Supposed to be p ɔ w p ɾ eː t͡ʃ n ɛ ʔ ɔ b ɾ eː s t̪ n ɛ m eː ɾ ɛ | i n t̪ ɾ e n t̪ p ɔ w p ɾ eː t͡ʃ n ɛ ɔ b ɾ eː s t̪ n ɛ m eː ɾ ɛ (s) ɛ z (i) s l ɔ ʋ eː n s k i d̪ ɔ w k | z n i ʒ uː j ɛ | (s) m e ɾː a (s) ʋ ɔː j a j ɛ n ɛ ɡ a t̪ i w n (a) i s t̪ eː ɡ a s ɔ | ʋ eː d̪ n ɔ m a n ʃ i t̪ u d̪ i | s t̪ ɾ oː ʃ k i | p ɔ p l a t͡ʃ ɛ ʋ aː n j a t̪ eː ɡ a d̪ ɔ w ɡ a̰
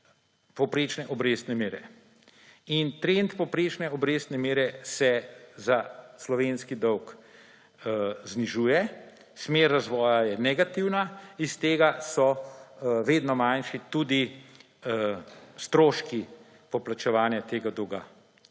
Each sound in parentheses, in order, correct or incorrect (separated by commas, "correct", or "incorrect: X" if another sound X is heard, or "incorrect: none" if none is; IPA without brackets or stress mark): correct, incorrect: a, correct, incorrect: z, correct